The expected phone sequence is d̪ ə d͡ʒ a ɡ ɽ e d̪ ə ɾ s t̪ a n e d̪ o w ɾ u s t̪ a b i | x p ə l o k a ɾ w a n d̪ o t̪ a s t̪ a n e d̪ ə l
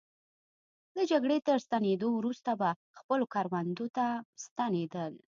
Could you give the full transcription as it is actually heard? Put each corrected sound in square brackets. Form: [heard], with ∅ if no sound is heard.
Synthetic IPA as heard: d̪ ə d͡ʒ a ɡ ɽ e [t̪] ə ɾ s t̪ a n e d̪ o w ɾ u s t̪ a b [a] | x p ə l o k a ɾ w a n d̪ o t̪ a s t̪ a n e d̪ ə l